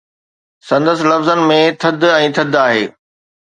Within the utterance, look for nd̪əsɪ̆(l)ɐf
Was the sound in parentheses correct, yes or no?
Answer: yes